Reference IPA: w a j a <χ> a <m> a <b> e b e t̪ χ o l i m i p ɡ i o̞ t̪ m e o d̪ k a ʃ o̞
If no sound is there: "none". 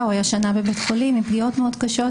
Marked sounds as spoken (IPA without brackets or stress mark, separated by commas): ʃ, n, b